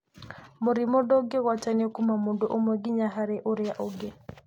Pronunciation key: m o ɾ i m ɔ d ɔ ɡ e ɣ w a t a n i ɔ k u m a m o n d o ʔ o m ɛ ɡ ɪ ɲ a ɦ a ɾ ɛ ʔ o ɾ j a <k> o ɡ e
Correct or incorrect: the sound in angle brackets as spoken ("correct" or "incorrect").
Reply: incorrect